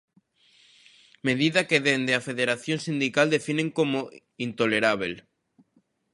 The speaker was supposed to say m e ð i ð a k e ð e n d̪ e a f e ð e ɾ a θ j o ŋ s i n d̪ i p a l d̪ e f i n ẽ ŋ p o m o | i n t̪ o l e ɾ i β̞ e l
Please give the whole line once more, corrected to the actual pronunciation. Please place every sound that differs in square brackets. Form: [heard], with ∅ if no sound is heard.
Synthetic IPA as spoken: m e ð i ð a k e ð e n d̪ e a f e ð e ɾ a θ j o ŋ s i n d̪ i [k] a l d̪ e f i n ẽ ŋ [k] o m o | i n t̪ o l e ɾ [a] β̞ e l